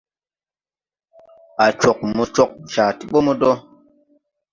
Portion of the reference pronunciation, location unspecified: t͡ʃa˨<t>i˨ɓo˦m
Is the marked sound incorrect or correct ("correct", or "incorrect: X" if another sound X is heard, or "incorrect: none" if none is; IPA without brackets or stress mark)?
correct